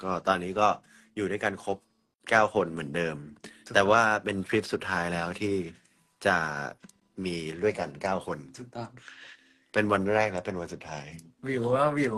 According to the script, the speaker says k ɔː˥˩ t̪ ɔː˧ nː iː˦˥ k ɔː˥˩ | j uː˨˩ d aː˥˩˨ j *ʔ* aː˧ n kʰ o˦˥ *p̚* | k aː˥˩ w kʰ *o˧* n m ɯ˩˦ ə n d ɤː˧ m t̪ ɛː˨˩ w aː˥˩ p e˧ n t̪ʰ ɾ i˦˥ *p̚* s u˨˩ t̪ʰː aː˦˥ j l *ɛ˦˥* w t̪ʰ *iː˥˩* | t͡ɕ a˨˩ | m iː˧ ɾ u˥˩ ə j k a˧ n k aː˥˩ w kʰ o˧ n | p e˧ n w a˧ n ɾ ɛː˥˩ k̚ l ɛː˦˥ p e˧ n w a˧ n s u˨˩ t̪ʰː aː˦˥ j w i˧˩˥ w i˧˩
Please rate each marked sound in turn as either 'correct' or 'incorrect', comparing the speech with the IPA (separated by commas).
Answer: incorrect, correct, correct, correct, incorrect, correct